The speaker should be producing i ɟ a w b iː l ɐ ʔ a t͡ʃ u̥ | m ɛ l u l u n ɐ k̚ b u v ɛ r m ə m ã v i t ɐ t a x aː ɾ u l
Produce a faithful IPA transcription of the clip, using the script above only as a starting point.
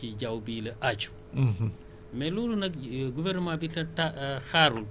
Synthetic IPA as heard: i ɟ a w b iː l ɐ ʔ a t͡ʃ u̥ | m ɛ l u l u n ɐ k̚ ɡ u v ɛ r n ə m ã b i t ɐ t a x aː ɾ u l